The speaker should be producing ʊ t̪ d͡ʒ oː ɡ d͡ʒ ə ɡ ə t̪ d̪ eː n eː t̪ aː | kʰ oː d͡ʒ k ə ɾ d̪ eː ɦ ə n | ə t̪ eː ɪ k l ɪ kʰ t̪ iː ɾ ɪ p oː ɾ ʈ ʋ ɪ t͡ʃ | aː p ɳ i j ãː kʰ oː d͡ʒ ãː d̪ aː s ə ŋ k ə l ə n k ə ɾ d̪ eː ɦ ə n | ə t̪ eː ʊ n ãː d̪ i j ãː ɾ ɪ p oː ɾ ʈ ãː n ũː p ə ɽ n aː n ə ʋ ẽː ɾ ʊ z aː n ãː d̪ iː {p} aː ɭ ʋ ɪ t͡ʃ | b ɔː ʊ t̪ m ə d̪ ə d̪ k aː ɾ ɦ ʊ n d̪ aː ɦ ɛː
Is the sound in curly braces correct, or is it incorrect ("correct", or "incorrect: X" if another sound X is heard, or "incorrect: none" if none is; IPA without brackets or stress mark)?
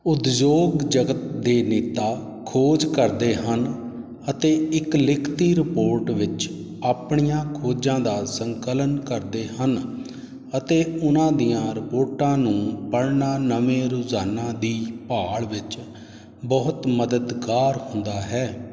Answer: correct